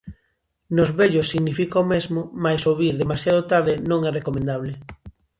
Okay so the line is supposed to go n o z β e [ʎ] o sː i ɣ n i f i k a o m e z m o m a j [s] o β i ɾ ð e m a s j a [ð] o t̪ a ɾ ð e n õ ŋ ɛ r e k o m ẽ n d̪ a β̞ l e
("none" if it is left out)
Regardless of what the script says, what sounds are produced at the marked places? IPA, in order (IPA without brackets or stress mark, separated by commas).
ʎ, s, ð